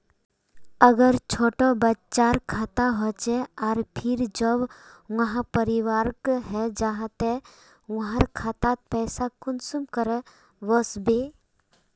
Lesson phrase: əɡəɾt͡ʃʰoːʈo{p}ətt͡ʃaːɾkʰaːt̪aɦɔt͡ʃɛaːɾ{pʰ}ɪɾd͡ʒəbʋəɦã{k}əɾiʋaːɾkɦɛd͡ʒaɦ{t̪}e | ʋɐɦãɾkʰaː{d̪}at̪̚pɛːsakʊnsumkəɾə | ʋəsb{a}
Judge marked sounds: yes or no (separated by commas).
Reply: no, yes, no, yes, no, no